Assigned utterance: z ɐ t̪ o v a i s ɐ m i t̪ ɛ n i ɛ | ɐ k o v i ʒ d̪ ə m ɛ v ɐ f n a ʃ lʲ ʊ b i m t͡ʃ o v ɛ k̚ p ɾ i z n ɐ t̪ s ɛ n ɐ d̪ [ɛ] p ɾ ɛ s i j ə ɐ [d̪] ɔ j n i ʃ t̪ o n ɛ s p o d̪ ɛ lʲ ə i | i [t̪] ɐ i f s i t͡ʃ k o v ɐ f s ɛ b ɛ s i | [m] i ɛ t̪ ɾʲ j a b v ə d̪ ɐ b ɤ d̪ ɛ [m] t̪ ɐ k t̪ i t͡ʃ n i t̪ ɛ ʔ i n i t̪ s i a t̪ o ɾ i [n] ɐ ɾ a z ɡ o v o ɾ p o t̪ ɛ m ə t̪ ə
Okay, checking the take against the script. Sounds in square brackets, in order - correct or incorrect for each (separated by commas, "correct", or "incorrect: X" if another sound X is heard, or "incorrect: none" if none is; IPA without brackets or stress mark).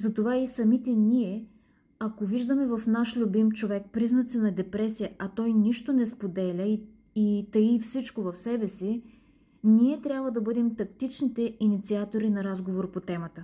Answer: correct, incorrect: t̪, correct, incorrect: n, correct, correct